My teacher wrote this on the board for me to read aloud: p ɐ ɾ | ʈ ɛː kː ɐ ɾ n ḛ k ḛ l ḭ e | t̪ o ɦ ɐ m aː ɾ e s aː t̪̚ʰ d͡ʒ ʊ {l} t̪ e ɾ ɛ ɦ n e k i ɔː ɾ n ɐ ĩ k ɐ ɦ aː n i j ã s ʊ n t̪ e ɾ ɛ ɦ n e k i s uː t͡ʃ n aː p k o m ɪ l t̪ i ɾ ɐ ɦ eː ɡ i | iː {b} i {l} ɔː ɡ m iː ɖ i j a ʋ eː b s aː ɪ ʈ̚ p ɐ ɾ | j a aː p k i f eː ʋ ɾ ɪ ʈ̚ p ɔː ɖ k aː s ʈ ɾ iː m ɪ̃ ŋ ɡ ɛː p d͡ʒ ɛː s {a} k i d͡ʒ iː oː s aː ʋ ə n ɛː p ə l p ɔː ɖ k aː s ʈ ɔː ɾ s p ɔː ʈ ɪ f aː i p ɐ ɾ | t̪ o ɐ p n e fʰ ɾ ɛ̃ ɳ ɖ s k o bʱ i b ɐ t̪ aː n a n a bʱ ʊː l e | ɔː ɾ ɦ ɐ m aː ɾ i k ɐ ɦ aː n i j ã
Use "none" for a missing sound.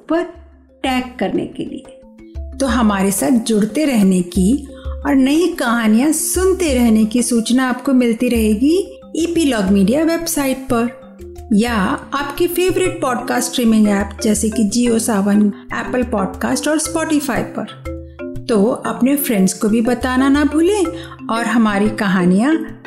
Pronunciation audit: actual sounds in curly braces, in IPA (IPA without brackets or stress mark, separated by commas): ɽ, p, l, e